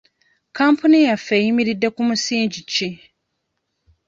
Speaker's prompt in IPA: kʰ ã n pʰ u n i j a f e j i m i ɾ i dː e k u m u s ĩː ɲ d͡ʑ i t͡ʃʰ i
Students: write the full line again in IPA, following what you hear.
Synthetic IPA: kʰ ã m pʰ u n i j a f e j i m i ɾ i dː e k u m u s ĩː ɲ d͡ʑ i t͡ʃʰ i